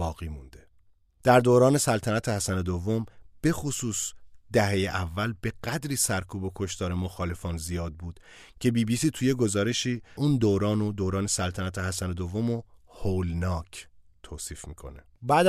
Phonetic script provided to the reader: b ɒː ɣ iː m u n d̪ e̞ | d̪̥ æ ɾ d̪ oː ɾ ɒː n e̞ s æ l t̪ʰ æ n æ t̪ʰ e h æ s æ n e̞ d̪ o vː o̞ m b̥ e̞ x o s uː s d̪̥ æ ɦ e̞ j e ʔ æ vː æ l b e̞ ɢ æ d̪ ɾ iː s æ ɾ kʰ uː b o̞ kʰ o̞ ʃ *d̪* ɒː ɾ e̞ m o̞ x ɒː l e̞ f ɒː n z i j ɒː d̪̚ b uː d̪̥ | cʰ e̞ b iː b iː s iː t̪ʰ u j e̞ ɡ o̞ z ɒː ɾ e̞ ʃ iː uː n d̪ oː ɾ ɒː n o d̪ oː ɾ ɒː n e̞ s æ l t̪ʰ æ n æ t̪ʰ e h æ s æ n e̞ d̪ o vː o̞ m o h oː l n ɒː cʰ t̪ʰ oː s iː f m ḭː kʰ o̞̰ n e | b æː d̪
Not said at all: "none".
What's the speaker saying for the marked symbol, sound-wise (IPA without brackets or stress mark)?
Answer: t̪